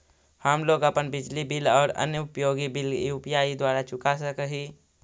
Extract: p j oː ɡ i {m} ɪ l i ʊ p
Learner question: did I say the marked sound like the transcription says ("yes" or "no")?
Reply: no